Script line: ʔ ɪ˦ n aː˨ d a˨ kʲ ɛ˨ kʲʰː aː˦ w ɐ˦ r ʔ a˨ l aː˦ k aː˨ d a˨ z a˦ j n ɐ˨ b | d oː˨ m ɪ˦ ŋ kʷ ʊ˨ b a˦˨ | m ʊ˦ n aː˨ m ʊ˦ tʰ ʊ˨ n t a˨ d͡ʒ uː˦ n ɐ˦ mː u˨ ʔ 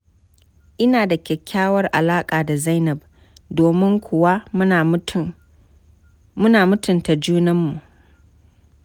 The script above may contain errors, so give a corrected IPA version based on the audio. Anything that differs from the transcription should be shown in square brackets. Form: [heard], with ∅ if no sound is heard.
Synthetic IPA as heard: ʔ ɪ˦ n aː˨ d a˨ kʲ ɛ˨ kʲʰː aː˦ w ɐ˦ r ʔ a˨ l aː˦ [kʼ] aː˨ d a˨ z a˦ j n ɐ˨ b | d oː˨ m ɪ˦ ŋ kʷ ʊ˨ [w] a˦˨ | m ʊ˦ n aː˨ m ʊ˦ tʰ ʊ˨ n t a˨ d͡ʒ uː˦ n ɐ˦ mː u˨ ʔ

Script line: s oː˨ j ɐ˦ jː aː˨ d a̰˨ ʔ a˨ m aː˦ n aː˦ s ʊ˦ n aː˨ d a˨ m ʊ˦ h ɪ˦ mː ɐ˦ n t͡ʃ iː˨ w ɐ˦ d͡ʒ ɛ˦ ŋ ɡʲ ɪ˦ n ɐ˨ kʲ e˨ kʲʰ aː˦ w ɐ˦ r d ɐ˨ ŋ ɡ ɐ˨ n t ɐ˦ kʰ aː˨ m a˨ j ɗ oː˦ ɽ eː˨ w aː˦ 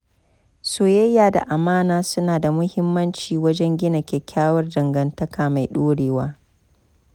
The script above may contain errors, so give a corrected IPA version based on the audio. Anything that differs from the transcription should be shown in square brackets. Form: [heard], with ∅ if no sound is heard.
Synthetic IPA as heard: s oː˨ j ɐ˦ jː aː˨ d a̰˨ ʔ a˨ m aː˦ n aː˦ s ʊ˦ n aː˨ d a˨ m ʊ˦ h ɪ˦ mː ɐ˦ n t͡ʃ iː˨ w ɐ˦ d͡ʒ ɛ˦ ŋ ɡʲ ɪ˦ n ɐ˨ kʲ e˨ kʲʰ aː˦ w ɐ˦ r d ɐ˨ ŋ ɡ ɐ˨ n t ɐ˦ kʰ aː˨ m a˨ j ɗ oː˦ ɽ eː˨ w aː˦

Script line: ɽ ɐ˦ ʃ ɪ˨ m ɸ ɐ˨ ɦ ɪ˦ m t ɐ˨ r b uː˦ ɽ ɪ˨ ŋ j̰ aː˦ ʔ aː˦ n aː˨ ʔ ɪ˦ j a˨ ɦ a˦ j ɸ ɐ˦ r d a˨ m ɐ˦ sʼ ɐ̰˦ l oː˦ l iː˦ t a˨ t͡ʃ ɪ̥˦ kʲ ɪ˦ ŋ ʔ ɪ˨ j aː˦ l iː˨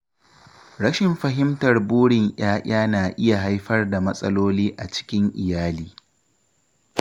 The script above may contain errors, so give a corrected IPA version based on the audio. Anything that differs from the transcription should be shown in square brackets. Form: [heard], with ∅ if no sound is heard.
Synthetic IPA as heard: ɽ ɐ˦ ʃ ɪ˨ m ɸ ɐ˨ ɦ ɪ˦ m t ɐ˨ r b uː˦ ɽ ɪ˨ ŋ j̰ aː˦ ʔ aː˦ n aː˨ ʔ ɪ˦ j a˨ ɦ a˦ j ɸ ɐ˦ r d a˨ m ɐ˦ sʼ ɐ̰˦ l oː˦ l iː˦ [ʔ] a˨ t͡ʃ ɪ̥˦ kʲ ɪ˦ ŋ ʔ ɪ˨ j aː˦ l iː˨

